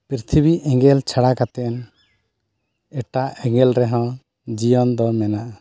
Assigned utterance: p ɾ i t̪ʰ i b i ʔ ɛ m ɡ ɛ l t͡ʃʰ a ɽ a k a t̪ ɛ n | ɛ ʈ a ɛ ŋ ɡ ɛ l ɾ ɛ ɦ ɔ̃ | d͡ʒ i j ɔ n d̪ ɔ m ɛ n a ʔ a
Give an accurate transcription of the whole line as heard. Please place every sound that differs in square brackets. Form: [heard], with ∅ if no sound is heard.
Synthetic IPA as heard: p ɾ i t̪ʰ i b i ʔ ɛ [ŋ] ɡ ɛ l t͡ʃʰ a ɽ a k a t̪ ɛ n | ɛ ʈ a ɛ ŋ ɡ ɛ l ɾ ɛ ɦ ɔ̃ | d͡ʒ i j ɔ n d̪ ɔ m ɛ n a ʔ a